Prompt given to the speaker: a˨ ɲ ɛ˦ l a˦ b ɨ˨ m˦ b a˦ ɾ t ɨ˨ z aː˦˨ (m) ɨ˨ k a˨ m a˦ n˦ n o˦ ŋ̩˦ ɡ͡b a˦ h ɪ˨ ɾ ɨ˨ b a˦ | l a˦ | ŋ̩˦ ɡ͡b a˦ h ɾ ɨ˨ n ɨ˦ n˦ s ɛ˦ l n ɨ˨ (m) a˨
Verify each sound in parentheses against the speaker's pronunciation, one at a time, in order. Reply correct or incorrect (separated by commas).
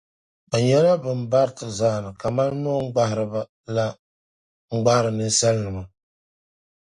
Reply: incorrect, correct